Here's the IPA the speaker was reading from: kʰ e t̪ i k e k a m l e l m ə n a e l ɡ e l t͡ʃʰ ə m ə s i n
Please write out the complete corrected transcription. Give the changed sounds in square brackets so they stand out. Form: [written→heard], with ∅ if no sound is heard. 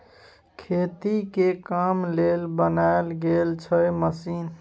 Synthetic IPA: kʰ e t̪ i k e k a m l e l [m→b] ə n a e l ɡ e l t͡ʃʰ ə m ə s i n